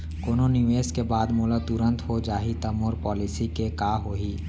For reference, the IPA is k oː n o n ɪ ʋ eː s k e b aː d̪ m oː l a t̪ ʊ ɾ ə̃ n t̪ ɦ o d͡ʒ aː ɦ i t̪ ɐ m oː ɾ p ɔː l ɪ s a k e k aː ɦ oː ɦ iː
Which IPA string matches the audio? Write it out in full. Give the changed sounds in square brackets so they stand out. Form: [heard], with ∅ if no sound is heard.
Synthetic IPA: k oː n o n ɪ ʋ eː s k e b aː d̪ m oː l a t̪ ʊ ɾ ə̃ n t̪ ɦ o d͡ʒ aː ɦ i t̪ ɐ m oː ɾ p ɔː l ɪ s [i] k e k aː ɦ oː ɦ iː

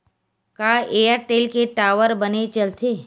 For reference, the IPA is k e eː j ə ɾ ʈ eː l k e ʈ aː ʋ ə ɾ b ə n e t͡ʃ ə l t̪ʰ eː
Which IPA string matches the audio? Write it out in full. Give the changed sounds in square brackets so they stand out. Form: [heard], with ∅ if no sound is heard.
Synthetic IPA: k [a] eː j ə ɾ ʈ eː l k e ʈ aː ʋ ə ɾ b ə n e t͡ʃ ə l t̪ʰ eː

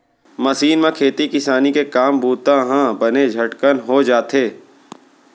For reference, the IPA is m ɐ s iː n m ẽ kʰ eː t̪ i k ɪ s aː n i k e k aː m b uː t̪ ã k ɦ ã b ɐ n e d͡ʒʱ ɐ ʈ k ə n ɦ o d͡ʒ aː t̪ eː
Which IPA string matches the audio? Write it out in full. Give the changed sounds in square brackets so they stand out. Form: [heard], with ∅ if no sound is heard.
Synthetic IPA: m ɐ s iː n m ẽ kʰ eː t̪ i k ɪ s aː n i k e k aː m b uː t̪ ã [∅] ɦ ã b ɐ n e d͡ʒʱ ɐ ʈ k ə n ɦ o d͡ʒ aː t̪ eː

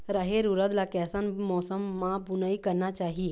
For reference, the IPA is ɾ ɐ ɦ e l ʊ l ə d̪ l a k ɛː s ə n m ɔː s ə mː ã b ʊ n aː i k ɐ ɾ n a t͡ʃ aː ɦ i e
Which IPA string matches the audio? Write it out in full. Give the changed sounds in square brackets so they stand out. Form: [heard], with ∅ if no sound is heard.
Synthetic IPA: ɾ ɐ ɦ e [ɾ] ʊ [ɾ] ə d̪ l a k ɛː s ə n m ɔː s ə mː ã b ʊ n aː i k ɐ ɾ n a t͡ʃ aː ɦ i e

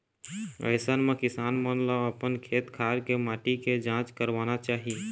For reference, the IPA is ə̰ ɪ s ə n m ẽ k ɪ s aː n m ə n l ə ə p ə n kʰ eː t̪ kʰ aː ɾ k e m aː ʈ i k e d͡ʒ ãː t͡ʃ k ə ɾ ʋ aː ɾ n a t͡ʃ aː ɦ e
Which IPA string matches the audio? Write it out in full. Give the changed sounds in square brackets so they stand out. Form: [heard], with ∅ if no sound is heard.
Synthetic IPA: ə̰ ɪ s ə n m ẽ k ɪ s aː n m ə n l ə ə p ə n kʰ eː t̪ kʰ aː ɾ k e m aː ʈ i k e d͡ʒ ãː t͡ʃ k ə ɾ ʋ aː [∅] n a t͡ʃ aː ɦ [i]

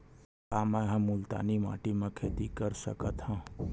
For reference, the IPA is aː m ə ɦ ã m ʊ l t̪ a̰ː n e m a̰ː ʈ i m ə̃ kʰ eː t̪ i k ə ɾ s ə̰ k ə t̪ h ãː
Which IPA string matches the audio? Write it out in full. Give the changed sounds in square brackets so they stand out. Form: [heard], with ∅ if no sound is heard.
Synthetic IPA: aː m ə ɦ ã m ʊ l t̪ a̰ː n [i] m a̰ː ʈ i m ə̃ kʰ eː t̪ i k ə ɾ s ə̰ k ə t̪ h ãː

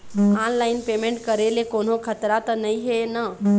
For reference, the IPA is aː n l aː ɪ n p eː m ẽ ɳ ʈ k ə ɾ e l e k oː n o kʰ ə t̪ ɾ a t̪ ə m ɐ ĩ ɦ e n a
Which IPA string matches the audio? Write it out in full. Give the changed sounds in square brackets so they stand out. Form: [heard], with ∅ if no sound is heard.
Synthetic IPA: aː n l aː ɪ n p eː m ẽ ɳ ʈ k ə ɾ e l e k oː n o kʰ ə t̪ ɾ a t̪ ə [n] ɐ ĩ ɦ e n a

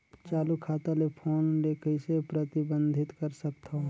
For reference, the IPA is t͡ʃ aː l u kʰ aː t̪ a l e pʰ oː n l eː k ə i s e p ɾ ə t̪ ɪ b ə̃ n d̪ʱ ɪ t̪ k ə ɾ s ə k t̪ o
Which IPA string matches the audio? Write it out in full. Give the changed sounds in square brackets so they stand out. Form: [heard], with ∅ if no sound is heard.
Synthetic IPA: t͡ʃ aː l u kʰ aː t̪ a l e pʰ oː n l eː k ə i s e p ɾ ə t̪ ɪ b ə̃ n d̪ʱ ɪ t̪ k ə ɾ s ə k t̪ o

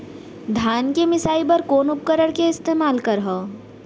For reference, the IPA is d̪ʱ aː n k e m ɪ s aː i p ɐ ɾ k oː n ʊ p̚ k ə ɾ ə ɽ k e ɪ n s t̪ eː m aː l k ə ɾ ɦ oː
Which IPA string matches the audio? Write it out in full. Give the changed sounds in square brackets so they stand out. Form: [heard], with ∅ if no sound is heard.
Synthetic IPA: d̪ʱ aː n k e m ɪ s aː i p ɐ ɾ k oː n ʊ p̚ k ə ɾ ə ɽ k e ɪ [∅] s t̪ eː m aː l k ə ɾ ɦ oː

